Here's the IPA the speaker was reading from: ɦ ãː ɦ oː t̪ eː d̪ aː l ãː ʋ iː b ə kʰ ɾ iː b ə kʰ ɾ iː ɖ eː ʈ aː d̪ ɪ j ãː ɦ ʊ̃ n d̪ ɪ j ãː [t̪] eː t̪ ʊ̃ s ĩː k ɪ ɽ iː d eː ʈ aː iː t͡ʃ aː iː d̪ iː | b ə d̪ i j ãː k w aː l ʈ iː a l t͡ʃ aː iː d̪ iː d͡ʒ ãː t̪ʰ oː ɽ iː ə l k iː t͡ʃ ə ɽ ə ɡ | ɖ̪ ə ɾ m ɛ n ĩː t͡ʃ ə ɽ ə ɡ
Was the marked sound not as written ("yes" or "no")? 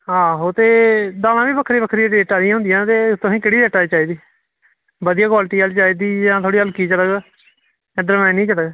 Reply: no